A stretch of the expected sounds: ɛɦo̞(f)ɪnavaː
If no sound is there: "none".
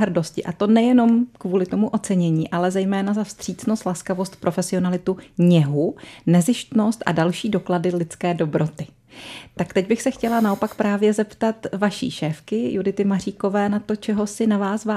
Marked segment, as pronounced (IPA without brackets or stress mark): s